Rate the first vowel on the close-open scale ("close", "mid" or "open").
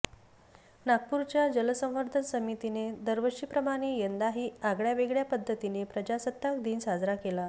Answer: open